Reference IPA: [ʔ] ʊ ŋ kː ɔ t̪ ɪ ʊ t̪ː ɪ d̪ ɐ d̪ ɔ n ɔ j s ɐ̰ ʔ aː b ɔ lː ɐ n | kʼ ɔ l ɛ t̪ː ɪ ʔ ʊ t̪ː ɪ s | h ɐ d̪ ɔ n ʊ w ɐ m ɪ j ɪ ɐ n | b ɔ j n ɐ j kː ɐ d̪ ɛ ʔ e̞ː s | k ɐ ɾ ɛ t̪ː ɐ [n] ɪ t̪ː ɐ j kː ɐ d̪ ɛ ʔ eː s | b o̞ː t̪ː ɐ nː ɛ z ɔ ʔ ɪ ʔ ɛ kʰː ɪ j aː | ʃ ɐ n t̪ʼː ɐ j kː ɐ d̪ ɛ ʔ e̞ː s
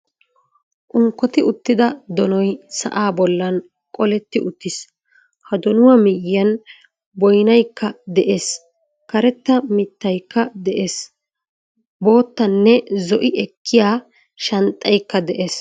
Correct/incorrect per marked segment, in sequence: correct, incorrect: m

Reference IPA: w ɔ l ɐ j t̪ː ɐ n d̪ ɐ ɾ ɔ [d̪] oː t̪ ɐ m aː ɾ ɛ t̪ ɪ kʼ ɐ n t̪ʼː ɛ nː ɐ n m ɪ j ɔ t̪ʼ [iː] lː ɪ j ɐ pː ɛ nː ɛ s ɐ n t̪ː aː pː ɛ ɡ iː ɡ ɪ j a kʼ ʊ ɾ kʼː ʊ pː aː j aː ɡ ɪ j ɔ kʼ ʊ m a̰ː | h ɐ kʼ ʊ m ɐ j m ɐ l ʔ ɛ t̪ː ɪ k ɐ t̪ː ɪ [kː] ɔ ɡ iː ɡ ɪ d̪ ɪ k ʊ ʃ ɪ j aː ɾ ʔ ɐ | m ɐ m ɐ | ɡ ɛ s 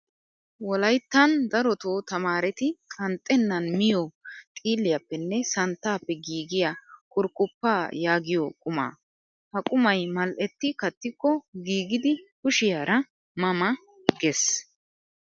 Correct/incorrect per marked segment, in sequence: incorrect: t̪, correct, correct

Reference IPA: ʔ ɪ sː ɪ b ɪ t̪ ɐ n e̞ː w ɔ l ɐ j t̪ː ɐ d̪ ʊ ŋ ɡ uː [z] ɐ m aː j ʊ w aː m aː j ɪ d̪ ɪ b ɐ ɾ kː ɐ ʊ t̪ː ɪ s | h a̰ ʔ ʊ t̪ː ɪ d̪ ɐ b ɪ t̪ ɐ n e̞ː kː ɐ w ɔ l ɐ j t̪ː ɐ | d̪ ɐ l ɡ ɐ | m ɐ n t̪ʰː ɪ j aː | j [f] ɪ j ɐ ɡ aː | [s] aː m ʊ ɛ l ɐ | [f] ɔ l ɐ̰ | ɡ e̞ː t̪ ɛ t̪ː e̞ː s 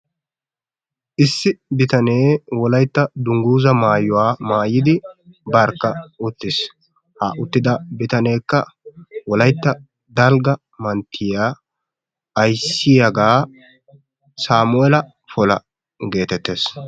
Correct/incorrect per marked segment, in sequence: correct, incorrect: s, correct, correct

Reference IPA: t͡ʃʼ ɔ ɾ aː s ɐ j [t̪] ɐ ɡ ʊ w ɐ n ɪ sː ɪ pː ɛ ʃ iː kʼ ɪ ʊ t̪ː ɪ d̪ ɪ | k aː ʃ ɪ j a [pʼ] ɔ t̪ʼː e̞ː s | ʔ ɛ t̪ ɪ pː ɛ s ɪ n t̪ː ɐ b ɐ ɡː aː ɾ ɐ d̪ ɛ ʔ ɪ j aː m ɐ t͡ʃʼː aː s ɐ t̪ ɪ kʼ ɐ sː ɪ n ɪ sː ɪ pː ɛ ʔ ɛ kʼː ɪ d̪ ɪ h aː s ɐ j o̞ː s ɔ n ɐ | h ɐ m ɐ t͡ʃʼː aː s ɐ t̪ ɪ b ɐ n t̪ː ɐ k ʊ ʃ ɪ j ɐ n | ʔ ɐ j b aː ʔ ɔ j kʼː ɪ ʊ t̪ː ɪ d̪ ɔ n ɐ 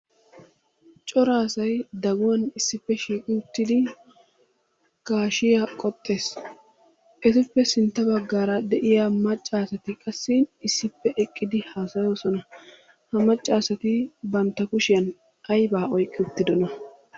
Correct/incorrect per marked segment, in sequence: incorrect: d̪, incorrect: kʼ

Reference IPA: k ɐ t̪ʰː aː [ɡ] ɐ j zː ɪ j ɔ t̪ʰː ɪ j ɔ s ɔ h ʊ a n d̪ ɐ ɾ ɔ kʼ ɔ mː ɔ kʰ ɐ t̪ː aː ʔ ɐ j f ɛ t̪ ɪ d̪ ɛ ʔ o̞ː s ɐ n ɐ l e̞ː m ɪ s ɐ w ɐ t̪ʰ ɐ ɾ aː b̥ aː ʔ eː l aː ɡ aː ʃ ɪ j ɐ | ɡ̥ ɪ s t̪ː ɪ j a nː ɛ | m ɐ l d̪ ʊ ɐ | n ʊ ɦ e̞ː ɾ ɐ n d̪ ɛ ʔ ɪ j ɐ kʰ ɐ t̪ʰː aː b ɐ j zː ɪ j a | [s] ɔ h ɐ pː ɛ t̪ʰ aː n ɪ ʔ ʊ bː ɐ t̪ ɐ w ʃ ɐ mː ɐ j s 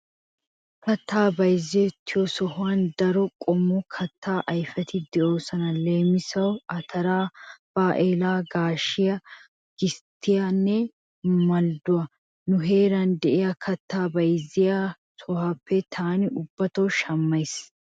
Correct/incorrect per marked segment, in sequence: incorrect: b, correct

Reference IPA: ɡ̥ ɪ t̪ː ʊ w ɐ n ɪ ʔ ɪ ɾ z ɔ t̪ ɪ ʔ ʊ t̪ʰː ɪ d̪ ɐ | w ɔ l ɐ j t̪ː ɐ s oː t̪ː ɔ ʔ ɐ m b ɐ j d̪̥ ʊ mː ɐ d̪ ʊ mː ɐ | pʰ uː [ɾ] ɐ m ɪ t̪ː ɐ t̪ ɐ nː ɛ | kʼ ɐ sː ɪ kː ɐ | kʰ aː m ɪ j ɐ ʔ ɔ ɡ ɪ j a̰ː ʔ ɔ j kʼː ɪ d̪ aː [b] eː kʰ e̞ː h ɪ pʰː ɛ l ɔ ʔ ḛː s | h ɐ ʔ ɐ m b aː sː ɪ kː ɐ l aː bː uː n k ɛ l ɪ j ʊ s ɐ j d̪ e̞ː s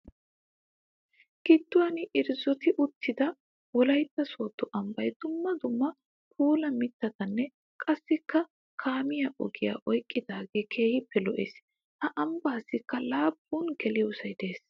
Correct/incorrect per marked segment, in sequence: incorrect: l, incorrect: ɡ

